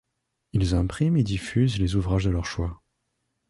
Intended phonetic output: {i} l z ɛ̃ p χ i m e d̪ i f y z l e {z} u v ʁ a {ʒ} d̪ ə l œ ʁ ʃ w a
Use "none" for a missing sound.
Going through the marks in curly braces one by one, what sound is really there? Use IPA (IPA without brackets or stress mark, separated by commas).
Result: i, z, ʒ